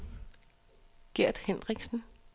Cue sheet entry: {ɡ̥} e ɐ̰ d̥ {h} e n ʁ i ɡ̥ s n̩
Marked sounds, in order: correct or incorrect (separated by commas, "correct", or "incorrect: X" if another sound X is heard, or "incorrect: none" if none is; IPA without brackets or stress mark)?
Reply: correct, correct